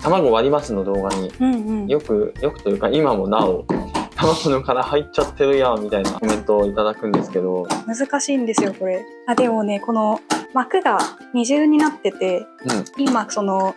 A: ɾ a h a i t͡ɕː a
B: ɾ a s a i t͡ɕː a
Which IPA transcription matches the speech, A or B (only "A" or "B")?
A